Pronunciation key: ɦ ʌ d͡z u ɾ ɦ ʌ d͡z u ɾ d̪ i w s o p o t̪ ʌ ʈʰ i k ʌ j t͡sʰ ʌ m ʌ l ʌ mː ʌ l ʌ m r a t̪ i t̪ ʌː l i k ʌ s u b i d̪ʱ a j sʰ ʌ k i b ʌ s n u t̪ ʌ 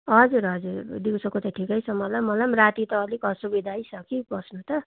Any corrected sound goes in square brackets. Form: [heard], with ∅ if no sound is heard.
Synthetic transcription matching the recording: ɦ ʌ d͡z u ɾ ɦ ʌ d͡z u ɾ d̪ i w s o [k] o t̪ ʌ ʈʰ i k ʌ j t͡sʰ ʌ m ʌ l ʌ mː ʌ l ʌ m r a t̪ i t̪ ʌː l i k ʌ s u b i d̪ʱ a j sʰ ʌ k i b ʌ s n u t̪ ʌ